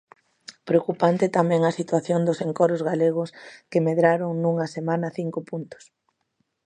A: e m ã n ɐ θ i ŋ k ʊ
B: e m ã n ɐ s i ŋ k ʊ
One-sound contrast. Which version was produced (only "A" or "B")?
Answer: A